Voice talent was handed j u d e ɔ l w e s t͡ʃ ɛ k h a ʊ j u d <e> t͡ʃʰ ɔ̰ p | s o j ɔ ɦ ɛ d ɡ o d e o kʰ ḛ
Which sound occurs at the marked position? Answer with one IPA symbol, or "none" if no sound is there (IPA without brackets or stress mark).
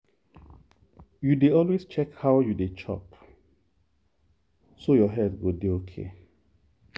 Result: e